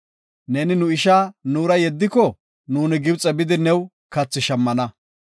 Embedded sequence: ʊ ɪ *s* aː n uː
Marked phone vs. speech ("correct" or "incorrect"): incorrect